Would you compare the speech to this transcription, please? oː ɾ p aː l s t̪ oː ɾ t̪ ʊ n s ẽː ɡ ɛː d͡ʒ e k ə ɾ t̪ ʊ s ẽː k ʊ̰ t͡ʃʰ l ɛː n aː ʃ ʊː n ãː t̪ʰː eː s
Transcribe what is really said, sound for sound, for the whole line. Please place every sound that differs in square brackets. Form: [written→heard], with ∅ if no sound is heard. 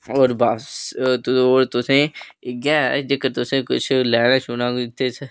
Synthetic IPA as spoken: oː ɾ [p→b] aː [l→∅] s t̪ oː ɾ t̪ ʊ [n→∅] s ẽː ɡ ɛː d͡ʒ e k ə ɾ t̪ ʊ s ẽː k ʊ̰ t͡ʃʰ l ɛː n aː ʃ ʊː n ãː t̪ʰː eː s